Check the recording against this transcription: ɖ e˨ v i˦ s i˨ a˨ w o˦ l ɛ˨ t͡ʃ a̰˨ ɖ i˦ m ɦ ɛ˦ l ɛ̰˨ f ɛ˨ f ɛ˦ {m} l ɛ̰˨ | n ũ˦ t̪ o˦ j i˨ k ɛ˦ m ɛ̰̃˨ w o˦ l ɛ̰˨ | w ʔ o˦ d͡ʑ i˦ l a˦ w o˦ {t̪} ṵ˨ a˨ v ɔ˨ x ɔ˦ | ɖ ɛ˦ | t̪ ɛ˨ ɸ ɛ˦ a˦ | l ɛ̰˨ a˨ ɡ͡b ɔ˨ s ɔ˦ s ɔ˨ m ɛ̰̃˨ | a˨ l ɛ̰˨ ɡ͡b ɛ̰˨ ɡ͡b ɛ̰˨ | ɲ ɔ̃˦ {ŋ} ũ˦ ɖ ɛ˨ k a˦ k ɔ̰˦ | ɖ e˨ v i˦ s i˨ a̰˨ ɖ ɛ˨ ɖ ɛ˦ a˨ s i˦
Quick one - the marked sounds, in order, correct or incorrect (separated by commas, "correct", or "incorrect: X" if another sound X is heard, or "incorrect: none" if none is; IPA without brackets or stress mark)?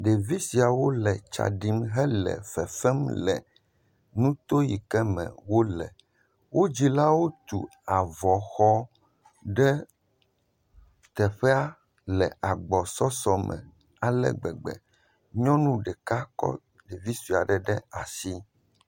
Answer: correct, correct, incorrect: n